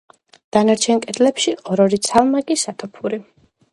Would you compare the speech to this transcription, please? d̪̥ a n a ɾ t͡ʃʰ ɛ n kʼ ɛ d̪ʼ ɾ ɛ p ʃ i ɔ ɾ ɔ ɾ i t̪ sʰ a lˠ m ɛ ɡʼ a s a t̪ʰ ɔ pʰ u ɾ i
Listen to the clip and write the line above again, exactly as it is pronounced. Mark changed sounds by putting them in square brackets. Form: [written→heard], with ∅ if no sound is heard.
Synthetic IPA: d̪̥ a n a ɾ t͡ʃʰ ɛ n kʼ ɛ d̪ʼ [ɾ→l] ɛ p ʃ i ɔ ɾ ɔ ɾ i t̪ sʰ a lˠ m [ɛ→a] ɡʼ [a→i] s a t̪ʰ ɔ pʰ u ɾ i